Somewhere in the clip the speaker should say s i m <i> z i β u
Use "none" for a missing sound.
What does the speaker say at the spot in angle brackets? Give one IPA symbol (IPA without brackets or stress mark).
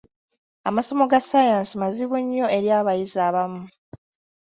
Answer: a